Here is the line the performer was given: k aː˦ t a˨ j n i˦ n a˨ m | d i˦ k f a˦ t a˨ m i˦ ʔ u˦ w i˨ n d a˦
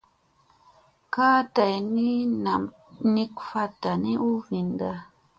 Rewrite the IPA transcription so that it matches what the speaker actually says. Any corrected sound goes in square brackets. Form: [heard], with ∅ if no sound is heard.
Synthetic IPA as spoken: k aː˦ t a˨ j n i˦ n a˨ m | [n] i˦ k f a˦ t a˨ [n] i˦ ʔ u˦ [v] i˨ n d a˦